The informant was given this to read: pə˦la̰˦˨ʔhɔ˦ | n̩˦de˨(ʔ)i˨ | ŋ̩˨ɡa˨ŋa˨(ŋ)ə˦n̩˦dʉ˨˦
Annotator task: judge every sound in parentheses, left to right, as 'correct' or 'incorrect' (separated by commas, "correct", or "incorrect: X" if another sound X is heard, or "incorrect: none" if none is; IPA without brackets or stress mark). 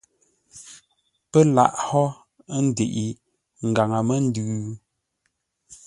correct, incorrect: m